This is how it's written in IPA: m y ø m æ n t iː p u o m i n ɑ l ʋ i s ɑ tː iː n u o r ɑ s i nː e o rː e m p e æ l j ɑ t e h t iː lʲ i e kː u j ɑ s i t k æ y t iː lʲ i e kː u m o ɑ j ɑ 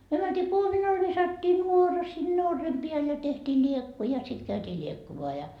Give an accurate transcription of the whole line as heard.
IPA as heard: m y ø m æ n t iː k u o m i n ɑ l ʋ i s ɑ tː iː n u o r ɑ s i nː e o rː e m p i æ l j ɑ t e h t iː lʲ i e kː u j ɑ s i t k æ y t iː lʲ i e kː u m o ɑ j ɑ